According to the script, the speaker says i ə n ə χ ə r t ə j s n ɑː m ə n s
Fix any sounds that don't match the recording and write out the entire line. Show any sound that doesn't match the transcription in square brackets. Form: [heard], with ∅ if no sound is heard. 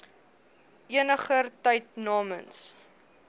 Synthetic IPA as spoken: i ə n ə χ ə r t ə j [t] n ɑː m ə n s

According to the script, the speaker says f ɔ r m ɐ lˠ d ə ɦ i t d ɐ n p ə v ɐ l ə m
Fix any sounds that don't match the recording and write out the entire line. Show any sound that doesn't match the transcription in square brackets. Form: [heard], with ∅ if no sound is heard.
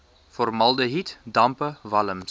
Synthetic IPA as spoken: f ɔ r m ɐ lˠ d ə ɦ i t d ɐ [m] p ə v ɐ l ə m

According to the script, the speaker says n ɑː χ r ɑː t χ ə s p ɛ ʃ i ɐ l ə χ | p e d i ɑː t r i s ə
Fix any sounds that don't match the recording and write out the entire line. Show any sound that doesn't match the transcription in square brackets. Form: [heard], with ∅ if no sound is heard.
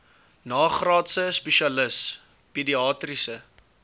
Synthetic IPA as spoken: n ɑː χ r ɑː t [s] ə s p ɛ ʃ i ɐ l ə [s] | p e d i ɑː t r i s ə

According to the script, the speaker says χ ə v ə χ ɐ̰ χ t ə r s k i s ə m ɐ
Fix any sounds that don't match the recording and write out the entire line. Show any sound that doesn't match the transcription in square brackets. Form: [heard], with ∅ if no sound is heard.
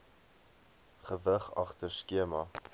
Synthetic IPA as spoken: χ ə v ə χ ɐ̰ χ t ə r s k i [∅] ə m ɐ

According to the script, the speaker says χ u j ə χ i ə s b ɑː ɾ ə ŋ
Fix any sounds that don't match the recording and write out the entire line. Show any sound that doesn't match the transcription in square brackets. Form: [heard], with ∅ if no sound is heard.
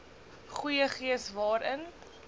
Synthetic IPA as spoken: χ u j ə χ i ə s [v] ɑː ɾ ə [n]

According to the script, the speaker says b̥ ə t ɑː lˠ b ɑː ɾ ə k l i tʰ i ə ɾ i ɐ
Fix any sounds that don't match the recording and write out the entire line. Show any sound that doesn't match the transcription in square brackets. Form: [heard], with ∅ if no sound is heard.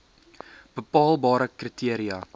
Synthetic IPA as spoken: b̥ ə [p] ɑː lˠ b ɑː ɾ ə k [r] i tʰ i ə ɾ i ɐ

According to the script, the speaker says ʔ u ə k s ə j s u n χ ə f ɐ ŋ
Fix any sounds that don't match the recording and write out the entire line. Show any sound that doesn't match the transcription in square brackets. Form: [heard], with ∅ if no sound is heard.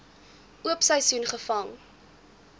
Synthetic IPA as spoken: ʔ u ə [p] s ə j s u n χ ə f ɐ ŋ

